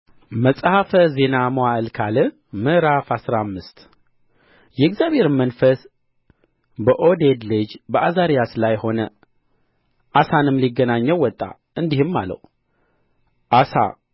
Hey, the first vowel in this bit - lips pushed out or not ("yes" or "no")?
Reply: no